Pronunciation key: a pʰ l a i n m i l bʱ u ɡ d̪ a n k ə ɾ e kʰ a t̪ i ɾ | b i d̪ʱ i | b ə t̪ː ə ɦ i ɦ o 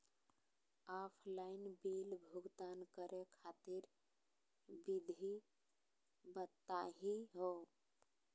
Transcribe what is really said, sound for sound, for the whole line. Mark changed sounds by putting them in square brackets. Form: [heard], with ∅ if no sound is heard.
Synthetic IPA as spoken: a pʰ l a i n [b] i l bʱ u ɡ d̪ a n k ə ɾ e kʰ a t̪ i ɾ | b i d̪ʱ i | b ə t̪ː [a] ɦ i ɦ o